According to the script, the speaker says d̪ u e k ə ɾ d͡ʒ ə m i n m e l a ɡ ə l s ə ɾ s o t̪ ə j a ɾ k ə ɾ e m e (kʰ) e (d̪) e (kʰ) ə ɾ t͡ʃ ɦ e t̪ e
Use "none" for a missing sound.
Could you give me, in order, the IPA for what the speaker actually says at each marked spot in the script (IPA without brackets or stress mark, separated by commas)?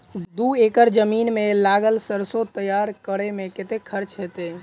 k, t̪, kʰ